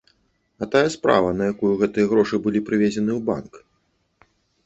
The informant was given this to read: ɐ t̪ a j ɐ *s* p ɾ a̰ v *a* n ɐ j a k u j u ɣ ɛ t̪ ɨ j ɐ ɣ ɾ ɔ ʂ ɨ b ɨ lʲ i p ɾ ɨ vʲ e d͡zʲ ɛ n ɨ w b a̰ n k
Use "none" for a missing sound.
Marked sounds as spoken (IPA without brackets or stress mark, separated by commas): s, ɐ